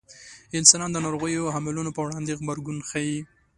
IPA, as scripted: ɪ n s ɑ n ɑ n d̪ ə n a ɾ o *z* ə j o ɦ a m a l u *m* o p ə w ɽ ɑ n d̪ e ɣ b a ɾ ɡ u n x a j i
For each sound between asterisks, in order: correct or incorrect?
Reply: incorrect, incorrect

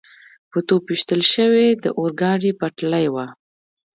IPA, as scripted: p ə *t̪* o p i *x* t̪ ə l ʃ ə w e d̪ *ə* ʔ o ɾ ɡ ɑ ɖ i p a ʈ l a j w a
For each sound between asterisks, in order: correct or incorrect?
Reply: correct, incorrect, correct

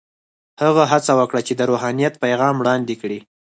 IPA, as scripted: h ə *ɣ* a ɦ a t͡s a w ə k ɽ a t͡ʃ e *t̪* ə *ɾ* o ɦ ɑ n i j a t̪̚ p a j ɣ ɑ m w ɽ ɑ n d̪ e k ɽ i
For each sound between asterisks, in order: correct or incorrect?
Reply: correct, incorrect, correct

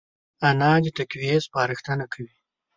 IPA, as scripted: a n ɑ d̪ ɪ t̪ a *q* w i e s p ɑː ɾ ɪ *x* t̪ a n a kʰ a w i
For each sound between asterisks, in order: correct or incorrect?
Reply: incorrect, correct

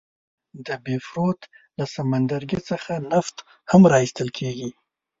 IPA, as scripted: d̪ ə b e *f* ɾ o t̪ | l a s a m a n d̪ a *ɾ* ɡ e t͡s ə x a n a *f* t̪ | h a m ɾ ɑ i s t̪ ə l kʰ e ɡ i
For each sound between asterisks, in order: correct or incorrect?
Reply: correct, correct, correct

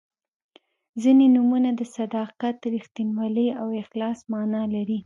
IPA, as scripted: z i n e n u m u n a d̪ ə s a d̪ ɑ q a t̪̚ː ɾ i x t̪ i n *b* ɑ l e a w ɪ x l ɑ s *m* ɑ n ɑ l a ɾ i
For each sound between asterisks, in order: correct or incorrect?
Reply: incorrect, correct

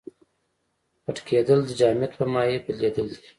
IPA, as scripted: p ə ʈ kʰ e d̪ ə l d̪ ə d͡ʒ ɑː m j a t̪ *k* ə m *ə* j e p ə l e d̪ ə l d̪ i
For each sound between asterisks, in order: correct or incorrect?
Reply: incorrect, incorrect

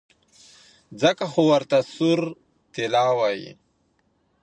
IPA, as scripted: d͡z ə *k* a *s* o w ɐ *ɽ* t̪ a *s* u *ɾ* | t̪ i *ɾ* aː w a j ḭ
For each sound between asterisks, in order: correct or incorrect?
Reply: correct, incorrect, incorrect, correct, correct, incorrect

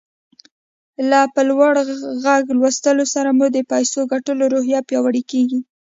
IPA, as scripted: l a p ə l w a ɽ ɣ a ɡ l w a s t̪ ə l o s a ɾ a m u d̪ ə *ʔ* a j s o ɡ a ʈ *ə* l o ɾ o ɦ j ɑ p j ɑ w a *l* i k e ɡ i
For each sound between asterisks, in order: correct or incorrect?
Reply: incorrect, correct, incorrect

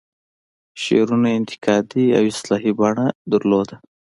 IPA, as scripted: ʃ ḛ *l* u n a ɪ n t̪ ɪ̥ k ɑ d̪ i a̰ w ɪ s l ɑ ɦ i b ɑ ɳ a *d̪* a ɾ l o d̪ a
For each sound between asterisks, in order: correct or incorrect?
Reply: incorrect, correct

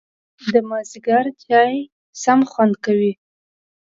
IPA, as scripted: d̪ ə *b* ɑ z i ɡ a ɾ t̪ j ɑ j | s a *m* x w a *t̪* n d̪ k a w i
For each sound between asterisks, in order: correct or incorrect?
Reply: incorrect, correct, incorrect

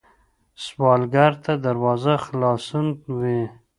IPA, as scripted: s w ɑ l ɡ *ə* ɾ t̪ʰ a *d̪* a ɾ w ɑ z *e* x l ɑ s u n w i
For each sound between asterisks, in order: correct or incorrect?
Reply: incorrect, correct, incorrect

